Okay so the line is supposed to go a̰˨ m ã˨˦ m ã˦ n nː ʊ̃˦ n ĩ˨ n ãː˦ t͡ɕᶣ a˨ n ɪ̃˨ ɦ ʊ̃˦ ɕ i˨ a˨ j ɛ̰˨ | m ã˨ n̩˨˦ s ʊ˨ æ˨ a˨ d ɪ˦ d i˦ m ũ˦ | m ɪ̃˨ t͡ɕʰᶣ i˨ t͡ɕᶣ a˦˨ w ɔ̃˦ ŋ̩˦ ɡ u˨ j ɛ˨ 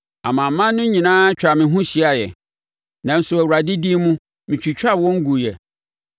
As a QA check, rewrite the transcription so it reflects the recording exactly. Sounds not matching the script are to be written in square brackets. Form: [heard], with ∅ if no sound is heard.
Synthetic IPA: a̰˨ m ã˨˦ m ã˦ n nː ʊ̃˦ [ɲ] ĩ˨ n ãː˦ t͡ɕᶣ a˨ [m] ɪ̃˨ ɦ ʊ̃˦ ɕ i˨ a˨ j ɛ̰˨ | [n] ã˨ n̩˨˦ s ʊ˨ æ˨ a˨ d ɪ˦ d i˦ m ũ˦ | m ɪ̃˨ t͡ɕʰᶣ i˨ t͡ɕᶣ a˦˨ w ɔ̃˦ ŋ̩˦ ɡ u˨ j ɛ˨